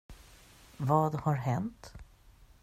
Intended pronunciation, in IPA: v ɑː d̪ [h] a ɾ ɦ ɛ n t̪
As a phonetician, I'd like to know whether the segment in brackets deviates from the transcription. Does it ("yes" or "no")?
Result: no